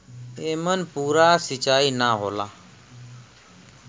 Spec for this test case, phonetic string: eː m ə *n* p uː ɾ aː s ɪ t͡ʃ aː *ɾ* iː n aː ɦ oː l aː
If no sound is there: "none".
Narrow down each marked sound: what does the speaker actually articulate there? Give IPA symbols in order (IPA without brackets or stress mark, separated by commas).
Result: n, none